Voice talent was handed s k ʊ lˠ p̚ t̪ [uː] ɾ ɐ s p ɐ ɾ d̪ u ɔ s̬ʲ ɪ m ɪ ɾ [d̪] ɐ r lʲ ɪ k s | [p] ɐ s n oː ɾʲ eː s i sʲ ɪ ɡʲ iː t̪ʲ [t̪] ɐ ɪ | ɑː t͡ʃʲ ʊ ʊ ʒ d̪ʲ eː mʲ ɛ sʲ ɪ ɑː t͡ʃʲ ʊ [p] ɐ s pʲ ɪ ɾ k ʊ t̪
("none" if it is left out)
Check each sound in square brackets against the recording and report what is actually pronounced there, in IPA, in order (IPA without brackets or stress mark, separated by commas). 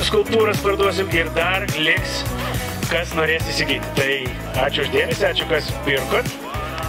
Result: uː, d̪, k, t̪, k